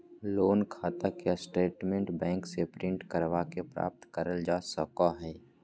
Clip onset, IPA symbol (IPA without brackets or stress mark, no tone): l